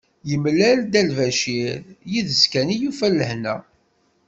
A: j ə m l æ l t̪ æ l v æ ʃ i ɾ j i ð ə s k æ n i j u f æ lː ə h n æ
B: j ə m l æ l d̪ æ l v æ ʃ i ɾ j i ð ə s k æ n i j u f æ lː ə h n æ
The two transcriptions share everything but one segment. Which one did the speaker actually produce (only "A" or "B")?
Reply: B